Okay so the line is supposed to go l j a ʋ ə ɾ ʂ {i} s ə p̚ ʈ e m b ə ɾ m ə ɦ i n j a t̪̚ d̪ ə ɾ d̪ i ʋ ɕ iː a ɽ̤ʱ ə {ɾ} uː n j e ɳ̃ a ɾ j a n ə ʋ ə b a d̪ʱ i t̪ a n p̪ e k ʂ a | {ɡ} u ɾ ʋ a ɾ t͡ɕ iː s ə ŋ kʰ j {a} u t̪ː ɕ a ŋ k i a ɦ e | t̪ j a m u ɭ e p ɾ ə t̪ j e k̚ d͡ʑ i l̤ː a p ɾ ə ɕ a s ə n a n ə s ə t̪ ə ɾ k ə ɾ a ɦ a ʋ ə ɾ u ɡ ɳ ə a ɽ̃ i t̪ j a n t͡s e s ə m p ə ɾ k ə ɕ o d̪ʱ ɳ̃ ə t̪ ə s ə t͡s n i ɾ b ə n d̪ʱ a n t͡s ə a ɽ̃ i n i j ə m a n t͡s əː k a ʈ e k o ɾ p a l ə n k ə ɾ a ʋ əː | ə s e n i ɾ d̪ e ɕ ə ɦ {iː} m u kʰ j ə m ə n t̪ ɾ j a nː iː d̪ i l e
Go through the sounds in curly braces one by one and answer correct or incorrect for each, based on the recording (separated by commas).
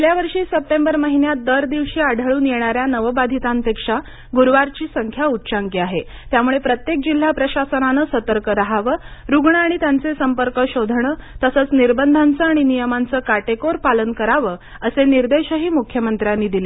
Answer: incorrect, incorrect, correct, correct, correct